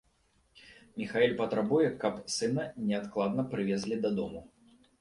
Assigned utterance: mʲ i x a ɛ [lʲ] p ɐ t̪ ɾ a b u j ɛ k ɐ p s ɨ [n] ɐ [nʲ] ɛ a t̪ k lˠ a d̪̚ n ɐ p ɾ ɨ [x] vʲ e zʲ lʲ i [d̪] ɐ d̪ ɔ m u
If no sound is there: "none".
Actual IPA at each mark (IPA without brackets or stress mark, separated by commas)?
lʲ, n, nʲ, none, d̪